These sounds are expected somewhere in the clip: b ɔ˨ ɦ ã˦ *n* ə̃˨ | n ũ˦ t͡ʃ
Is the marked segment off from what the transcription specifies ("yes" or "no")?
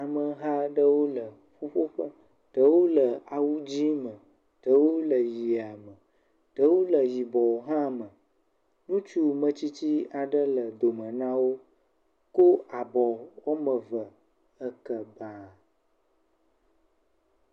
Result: yes